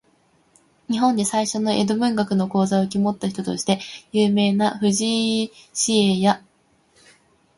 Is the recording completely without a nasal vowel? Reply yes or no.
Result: no